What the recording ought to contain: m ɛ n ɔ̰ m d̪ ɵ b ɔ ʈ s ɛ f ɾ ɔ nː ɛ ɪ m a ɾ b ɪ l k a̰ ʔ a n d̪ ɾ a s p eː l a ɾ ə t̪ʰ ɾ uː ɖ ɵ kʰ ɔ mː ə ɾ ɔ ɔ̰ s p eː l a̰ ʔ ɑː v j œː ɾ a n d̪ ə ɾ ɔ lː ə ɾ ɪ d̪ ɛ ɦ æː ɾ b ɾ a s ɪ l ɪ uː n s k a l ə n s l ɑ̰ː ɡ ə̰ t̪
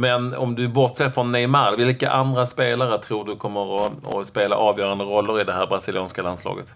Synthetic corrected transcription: m ɛ n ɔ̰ m d̪ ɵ b ɔ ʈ s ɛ f ɾ ɔ nː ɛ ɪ m a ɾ v ɪ l k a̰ ʔ a n d̪ ɾ a s p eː l a ɾ ə t̪ʰ ɾ uː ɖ ɵ kʰ ɔ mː ə ɾ ɔ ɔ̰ s p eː l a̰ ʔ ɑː v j œː ɾ a n d̪ ə ɾ ɔ lː ə ɾ ɪ d̪ ɛ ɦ æː ɾ b ɾ a s ɪ l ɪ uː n s k a l a n s l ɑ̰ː ɡ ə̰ t̪